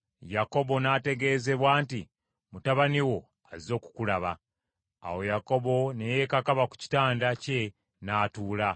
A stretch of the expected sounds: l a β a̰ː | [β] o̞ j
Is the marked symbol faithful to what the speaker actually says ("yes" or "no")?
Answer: no